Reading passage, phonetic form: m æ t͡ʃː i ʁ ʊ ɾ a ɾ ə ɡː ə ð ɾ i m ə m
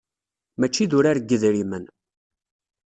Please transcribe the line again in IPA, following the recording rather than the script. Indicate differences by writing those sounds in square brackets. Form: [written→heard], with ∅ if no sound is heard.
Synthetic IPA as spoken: m æ t͡ʃː i [ʁ→ð] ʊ ɾ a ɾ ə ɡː ə ð ɾ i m ə [m→n]